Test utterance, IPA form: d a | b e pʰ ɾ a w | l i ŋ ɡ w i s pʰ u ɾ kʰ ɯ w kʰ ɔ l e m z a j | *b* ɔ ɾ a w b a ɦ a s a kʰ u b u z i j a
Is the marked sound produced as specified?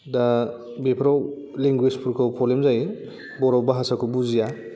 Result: yes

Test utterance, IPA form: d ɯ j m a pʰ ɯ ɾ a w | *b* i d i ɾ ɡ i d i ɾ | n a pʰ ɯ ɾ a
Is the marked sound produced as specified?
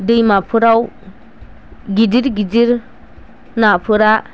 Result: no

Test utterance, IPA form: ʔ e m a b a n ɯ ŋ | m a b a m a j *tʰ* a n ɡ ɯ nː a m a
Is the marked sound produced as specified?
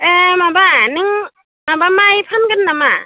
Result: no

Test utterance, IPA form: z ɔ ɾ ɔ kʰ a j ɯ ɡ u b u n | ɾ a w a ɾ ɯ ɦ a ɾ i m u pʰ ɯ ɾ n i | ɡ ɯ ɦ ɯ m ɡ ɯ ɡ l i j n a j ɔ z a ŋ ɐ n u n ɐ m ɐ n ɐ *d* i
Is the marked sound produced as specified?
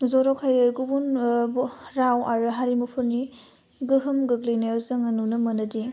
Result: yes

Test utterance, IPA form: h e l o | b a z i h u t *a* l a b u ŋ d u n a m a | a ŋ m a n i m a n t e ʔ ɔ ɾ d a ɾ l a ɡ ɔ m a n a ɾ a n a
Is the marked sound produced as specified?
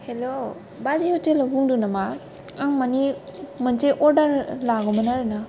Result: no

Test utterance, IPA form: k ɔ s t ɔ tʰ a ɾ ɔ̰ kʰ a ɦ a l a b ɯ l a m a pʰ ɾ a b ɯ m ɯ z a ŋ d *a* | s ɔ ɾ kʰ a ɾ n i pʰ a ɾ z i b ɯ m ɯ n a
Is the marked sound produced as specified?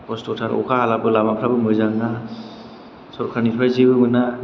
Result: yes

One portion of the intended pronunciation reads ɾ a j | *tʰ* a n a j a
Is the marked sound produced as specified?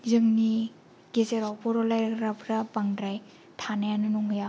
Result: yes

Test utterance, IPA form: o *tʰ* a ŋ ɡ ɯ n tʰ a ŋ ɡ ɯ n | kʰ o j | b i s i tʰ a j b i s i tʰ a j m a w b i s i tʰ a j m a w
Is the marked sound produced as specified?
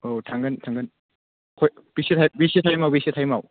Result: yes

